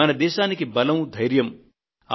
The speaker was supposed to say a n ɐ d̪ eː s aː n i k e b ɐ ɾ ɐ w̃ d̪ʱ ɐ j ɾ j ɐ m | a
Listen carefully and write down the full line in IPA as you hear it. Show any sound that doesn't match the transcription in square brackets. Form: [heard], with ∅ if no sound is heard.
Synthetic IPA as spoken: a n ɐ d̪ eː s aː n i k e b ɐ [l] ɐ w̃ d̪ʱ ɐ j ɾ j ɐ m | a